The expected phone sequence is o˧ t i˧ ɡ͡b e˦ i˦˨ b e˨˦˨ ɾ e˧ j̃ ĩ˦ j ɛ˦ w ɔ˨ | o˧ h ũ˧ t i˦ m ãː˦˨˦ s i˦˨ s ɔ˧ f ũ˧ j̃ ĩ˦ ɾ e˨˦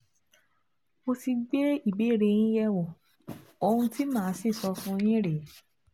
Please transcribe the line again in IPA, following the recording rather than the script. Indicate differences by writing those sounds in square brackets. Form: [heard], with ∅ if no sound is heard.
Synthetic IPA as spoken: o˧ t i˧ ɡ͡b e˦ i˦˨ b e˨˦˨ ɾ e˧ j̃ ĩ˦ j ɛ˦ w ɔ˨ | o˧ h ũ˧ t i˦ m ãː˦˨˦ s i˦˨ s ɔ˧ f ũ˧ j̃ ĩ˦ ɾ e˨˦